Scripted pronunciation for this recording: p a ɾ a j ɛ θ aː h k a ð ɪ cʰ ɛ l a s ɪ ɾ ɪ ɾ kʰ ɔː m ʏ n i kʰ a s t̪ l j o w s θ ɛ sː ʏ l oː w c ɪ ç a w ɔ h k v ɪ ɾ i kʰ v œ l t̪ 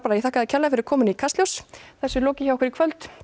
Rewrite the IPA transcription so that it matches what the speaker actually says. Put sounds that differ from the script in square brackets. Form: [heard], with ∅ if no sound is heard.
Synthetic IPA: p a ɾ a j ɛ θ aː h k a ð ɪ cʰ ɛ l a [f] ɪ ɾ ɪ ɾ kʰ ɔː m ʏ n i kʰ a s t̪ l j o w s θ ɛ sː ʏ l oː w c ɪ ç a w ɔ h k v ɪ ɾ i kʰ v œ l t̪